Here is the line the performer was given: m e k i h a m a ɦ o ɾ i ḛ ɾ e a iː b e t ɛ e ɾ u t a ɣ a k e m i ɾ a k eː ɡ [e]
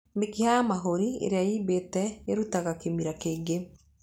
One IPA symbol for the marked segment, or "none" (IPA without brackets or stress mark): e